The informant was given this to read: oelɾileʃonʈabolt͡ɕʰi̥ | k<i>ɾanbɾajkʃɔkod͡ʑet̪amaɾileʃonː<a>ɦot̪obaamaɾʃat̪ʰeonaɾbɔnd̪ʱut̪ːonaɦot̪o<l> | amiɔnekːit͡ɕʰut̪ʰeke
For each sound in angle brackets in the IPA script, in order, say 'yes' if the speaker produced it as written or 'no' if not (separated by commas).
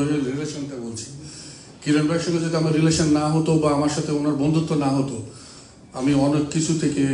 yes, yes, no